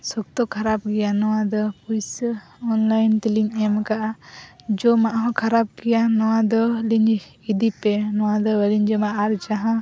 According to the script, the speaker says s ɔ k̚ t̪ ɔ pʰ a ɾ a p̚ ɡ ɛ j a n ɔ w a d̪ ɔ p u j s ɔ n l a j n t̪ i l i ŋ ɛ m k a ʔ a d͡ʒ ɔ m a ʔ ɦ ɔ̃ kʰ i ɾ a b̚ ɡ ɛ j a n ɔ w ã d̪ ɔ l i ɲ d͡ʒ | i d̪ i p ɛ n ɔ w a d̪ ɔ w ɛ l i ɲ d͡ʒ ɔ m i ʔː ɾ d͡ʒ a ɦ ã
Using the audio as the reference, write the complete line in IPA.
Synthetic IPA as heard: s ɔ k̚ t̪ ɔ kʰ a ɾ a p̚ ɡ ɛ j a n ɔ w a d̪ ɔ p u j s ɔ n l a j n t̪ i l i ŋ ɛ m k a ʔ a d͡ʒ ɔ m a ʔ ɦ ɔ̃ kʰ a ɾ a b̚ ɡ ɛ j a n ɔ w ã d̪ ɔ l i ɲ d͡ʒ | i d̪ i p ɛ n ɔ w a d̪ ɔ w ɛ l i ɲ d͡ʒ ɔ m a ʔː ɾ d͡ʒ a ɦ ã